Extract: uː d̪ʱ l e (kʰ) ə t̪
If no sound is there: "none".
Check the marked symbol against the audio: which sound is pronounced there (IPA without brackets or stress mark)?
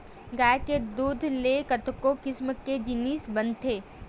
k